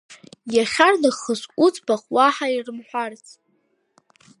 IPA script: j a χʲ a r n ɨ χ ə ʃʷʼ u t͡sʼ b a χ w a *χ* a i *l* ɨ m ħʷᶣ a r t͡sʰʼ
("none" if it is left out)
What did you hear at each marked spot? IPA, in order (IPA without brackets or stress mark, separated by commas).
ħ, r